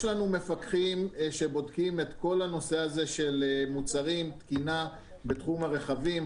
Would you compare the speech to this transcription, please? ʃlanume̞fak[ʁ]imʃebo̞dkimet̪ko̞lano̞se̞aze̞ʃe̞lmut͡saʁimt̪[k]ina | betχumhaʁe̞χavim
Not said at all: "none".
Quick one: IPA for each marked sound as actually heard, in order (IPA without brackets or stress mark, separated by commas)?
χ, k